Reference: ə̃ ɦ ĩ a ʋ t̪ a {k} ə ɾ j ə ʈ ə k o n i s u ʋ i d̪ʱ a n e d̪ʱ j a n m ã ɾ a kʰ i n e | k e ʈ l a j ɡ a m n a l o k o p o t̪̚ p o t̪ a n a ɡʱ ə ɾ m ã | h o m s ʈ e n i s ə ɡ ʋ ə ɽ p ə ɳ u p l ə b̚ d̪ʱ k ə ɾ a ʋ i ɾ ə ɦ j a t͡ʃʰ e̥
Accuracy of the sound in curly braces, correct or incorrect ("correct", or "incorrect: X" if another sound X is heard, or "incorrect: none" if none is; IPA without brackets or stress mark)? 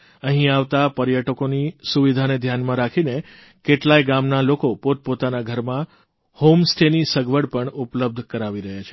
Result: incorrect: p